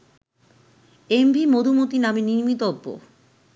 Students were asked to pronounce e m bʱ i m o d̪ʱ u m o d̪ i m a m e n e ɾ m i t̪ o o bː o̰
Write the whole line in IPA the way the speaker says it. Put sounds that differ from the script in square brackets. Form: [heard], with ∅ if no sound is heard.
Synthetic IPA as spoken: e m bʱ i m o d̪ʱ u m o [t̪] i [n] a m e n [i] ɾ m i t̪ o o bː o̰